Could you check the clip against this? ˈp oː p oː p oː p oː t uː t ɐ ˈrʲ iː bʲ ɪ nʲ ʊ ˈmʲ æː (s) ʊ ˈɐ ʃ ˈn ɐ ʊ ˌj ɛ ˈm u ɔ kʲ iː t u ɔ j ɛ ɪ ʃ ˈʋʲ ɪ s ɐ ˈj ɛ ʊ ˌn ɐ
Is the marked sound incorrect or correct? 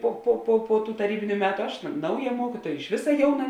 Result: incorrect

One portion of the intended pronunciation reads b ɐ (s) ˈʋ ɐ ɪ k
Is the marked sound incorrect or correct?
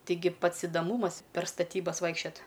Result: correct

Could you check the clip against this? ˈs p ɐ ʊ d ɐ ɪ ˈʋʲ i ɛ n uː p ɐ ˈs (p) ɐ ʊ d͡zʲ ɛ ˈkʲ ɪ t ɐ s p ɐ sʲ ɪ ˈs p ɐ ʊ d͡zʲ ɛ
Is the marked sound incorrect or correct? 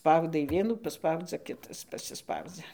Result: correct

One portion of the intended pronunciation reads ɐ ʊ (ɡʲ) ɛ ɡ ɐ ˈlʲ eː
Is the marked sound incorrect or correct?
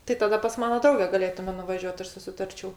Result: correct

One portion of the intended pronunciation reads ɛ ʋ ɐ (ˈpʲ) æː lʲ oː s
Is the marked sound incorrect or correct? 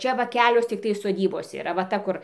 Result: incorrect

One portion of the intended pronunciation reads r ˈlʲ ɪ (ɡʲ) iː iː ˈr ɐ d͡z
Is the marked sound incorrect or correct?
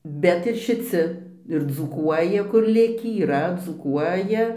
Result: incorrect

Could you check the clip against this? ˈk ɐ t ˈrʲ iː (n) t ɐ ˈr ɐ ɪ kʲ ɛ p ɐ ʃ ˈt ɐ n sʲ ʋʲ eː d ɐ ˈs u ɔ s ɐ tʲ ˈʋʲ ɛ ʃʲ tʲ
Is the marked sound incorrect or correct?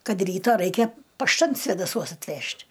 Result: incorrect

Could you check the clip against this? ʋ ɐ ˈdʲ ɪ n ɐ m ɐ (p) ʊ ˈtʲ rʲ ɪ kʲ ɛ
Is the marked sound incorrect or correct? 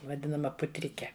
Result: correct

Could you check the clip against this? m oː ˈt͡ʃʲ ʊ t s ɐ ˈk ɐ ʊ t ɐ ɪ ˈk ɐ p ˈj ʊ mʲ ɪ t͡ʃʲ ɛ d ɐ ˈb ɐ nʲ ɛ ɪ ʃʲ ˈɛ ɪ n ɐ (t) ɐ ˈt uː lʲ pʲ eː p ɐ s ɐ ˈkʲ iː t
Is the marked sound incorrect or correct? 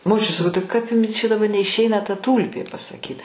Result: correct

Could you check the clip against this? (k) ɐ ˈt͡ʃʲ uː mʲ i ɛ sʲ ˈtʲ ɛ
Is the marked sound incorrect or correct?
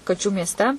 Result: correct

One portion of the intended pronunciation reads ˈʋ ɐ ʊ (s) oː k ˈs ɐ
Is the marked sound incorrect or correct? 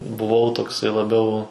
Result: incorrect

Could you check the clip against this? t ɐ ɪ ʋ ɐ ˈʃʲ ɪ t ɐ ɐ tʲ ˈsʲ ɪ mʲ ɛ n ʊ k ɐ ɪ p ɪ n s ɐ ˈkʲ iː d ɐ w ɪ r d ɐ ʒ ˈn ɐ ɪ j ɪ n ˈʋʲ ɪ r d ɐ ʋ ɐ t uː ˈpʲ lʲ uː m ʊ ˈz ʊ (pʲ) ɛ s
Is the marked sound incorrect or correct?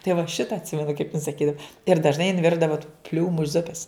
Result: correct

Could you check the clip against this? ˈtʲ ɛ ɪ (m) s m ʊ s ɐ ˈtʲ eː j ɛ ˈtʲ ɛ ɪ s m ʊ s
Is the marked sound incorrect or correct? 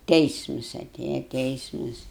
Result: incorrect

